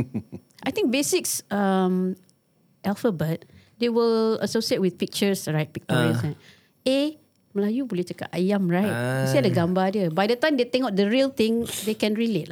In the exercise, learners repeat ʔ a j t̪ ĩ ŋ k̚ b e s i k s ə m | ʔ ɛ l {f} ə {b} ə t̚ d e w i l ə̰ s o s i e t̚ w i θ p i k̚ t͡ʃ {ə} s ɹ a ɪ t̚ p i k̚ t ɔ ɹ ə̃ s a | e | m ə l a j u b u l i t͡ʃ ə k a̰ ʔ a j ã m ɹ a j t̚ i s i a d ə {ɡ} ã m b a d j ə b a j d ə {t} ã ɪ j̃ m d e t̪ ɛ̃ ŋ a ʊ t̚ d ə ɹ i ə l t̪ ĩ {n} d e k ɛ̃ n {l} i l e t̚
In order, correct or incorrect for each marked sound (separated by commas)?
correct, correct, correct, correct, correct, incorrect, incorrect